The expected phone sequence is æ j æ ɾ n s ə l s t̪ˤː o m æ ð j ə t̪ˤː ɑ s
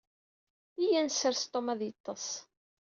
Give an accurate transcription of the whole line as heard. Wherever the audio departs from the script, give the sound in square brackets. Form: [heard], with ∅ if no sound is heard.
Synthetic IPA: [i] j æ [∅] n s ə [ɾ] s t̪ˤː o m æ ð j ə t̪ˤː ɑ s